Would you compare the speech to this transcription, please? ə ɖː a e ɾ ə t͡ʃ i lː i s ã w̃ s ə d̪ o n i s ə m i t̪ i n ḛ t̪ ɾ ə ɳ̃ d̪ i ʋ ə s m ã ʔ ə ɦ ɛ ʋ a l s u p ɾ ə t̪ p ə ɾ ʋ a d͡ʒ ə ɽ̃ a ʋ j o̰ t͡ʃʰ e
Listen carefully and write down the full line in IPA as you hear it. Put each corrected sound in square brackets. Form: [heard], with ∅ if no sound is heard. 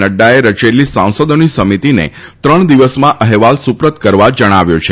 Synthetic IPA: ə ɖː a e ɾ ə t͡ʃ [e] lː i s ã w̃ s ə d̪ o n i s ə m i t̪ i n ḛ t̪ ɾ ə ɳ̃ d̪ i ʋ ə s m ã ʔ ə ɦ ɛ ʋ a l s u p ɾ ə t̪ [k] ə ɾ ʋ a d͡ʒ ə ɽ̃ a ʋ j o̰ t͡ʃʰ e